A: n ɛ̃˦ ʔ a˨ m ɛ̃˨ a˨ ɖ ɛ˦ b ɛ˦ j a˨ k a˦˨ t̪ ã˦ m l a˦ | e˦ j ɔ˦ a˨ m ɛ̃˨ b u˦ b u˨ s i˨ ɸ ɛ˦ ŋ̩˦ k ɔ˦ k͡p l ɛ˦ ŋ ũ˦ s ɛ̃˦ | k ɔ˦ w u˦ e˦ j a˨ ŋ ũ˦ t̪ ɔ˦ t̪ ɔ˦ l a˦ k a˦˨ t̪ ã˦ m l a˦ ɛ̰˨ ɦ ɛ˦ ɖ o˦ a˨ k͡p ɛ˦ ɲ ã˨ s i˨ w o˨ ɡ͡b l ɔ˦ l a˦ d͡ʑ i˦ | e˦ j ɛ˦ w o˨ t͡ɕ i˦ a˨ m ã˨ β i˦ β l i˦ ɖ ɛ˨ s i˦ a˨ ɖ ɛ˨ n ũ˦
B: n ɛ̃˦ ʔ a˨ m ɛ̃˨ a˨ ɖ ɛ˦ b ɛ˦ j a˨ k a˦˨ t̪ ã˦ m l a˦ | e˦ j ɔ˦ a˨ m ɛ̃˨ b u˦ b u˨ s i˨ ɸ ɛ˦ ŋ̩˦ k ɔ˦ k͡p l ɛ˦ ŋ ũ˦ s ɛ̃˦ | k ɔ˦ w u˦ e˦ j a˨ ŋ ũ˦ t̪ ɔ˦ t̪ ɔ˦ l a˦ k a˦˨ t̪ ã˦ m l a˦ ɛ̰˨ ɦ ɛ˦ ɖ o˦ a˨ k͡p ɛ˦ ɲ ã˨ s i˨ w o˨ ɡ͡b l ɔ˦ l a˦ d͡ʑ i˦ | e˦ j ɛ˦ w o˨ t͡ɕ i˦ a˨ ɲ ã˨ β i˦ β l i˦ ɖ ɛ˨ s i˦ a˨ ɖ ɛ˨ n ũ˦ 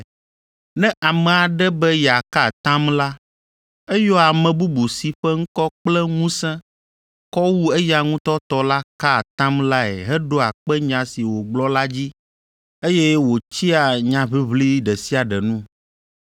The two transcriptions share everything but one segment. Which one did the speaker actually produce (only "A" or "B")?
B